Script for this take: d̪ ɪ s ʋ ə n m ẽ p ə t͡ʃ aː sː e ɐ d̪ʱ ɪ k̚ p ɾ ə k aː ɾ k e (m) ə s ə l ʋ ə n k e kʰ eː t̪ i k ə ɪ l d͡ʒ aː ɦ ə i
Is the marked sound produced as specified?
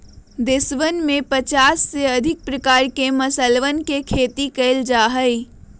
yes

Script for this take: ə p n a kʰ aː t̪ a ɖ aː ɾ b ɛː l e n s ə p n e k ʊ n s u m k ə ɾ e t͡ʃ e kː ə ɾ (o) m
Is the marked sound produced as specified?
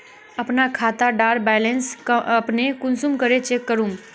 no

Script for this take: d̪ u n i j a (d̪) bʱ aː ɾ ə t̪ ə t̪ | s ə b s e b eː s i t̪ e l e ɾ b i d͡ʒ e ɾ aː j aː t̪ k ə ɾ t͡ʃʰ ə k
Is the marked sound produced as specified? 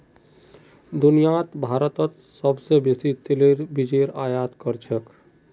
no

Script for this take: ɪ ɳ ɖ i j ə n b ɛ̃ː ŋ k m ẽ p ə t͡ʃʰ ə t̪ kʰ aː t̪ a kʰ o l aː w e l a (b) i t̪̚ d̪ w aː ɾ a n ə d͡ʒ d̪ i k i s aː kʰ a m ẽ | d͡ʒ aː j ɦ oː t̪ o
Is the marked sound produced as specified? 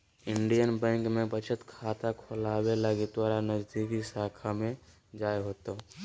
no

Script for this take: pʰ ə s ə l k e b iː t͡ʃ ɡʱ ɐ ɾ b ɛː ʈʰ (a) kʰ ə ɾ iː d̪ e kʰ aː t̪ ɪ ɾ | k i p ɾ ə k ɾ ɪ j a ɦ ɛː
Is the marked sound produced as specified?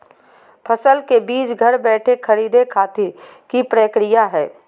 no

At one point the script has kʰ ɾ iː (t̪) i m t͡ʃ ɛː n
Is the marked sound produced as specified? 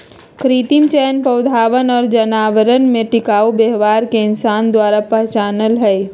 yes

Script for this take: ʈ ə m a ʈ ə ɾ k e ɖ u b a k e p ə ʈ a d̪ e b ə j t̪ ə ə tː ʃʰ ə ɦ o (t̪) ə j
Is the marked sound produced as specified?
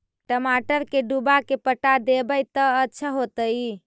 yes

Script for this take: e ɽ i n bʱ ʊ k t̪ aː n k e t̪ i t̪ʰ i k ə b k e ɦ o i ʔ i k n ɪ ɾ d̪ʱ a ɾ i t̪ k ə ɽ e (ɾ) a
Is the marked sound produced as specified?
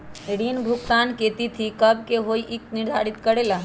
no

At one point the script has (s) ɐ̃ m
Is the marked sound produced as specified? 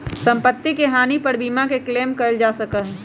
yes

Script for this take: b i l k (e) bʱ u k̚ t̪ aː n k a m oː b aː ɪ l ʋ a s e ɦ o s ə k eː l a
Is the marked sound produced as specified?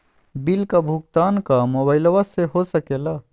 no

